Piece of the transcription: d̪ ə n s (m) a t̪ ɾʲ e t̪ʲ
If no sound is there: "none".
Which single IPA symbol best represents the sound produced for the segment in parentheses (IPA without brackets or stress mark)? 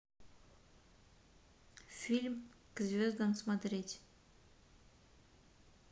m